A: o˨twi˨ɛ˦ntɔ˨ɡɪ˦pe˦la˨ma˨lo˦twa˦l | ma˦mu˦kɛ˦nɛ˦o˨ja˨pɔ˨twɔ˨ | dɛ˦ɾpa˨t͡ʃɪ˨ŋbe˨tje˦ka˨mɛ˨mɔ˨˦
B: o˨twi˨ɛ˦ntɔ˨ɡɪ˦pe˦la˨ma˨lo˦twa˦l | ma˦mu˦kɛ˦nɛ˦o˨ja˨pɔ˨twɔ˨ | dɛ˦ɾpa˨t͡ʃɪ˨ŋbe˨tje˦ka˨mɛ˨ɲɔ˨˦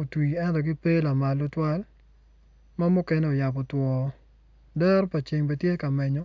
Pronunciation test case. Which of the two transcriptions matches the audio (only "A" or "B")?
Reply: B